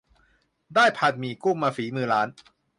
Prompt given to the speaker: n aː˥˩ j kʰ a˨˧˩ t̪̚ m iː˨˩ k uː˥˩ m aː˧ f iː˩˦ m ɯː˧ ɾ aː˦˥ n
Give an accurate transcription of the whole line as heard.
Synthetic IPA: d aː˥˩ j pʰ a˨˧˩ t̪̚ m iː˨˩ k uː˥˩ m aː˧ f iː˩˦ m ɯː˧ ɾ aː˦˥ n